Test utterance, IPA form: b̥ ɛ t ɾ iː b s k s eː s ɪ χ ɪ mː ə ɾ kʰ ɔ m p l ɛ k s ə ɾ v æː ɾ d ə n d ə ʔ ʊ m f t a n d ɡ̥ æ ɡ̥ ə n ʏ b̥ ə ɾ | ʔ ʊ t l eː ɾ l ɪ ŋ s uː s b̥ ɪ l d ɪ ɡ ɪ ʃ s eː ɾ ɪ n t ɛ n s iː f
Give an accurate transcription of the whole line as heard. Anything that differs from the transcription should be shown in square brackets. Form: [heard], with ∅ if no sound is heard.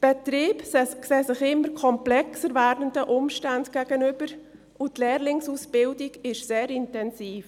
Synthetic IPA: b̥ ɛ t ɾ iː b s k s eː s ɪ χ ɪ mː ə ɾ kʰ ɔ m p l ɛ k s ə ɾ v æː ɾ d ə n d ə ʔ ʊ m [ʃ] t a n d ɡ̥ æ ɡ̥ ə n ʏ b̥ ə ɾ | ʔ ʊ t l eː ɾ l ɪ ŋ s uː s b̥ ɪ l d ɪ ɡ ɪ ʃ s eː ɾ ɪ n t ɛ n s iː f

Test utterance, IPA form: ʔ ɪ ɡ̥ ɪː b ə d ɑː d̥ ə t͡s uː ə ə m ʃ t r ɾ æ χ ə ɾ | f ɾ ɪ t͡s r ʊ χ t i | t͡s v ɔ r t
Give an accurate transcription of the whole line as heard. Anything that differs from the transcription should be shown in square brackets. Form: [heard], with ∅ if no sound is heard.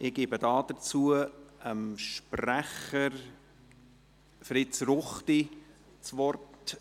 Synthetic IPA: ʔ ɪ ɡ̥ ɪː b ə d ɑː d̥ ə t͡s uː ə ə m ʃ [p] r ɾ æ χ ə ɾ | f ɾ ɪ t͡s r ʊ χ t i | t͡s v ɔ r t

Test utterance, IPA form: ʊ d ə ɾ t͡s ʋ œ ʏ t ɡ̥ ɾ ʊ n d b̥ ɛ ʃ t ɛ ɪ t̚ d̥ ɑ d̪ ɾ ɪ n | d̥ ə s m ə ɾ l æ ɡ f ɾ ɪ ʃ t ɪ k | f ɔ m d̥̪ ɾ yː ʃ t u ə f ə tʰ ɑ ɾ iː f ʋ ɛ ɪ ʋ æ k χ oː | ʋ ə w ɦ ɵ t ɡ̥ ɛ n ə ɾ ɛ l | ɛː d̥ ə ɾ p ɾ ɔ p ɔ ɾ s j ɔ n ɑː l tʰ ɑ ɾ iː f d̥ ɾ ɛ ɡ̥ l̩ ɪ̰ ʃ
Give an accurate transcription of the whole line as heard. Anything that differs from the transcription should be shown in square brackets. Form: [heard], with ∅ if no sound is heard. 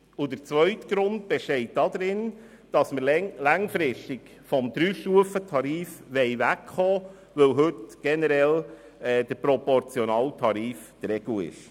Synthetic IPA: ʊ d ə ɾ t͡s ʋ œ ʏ t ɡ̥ ɾ ʊ n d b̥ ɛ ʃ t ɛ ɪ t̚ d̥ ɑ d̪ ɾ ɪ n | d̥ [ɑ] s m ə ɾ l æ [ŋ] f ɾ ɪ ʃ t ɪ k | f ɔ m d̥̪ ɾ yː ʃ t u ə f ə tʰ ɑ ɾ iː f ʋ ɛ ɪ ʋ æ k χ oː | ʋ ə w ɦ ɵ t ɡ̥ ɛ n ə ɾ ɛ l | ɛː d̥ ə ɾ p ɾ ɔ p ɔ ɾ [t͡s] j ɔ n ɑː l tʰ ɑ ɾ iː f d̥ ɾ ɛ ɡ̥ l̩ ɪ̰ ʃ

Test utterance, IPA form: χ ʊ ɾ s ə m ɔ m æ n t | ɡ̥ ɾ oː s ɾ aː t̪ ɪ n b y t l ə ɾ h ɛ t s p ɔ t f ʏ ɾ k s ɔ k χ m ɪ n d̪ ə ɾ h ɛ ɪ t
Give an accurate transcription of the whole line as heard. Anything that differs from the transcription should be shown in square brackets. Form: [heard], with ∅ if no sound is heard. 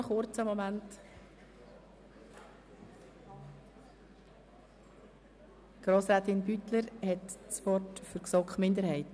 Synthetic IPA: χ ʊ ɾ [t͡s] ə m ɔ m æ n t | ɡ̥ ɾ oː s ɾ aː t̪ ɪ n b y t l ə ɾ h ɛ t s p ɔ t f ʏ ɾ k s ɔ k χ m ɪ n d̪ ə ɾ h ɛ ɪ t

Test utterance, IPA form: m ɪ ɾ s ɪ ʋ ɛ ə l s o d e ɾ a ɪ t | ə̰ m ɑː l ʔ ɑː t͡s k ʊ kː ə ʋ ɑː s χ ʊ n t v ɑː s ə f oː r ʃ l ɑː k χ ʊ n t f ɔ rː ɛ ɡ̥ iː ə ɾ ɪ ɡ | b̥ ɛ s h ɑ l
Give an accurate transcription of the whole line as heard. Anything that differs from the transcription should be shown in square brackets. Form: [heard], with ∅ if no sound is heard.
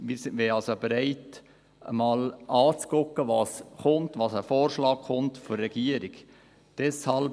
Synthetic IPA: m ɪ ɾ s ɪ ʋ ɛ [ɑ] l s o [b] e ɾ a ɪ t | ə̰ m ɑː l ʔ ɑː t͡s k ʊ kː ə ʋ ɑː s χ ʊ n t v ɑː s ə f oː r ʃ l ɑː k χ ʊ n t f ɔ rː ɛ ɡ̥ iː ə ɾ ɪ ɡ | [d̥] ɛ s h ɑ l

